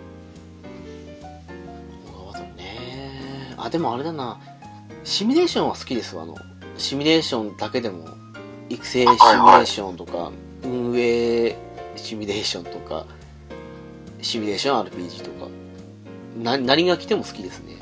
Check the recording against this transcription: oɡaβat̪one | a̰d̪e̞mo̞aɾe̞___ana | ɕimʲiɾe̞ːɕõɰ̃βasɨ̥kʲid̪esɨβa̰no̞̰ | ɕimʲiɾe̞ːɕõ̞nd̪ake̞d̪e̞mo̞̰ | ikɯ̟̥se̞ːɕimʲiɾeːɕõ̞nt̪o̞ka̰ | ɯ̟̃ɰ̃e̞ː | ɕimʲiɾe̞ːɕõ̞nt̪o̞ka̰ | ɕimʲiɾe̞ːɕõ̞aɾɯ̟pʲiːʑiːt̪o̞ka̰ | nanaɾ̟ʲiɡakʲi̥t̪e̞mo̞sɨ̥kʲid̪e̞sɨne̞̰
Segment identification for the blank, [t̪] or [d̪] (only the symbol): d̪